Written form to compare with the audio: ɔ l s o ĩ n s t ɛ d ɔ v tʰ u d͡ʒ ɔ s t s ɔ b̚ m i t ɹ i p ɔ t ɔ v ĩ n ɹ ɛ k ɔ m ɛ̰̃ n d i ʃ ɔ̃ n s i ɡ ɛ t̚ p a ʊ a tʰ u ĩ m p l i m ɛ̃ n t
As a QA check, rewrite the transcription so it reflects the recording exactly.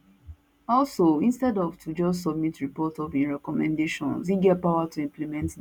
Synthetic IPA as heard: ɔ l s o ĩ n s t ɛ d ɔ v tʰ u d͡ʒ ɔ s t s ɔ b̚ m i t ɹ i p ɔ t ɔ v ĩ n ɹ ɛ k ɔ m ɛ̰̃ n d e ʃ ɔ̃ n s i ɡ ɛ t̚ p a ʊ a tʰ u ĩ m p l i m ɛ̃ n t